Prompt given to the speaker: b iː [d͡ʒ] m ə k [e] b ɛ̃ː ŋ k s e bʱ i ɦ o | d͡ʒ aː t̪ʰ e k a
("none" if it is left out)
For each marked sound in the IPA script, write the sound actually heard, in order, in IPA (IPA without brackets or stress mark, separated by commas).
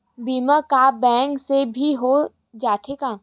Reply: none, a